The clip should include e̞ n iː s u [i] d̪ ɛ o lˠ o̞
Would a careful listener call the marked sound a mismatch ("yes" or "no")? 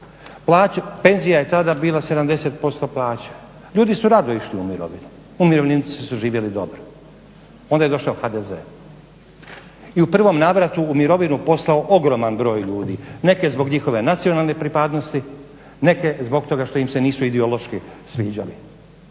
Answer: no